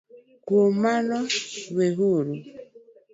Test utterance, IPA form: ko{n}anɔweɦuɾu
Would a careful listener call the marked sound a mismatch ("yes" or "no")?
yes